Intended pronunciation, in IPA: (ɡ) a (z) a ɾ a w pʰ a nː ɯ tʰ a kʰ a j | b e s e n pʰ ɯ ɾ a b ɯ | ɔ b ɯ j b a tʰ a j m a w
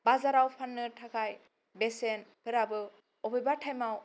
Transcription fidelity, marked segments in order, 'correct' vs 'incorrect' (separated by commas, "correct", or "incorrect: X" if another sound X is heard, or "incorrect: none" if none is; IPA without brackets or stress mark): incorrect: b, correct